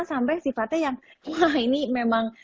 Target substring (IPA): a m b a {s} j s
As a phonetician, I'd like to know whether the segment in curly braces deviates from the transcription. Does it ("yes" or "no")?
yes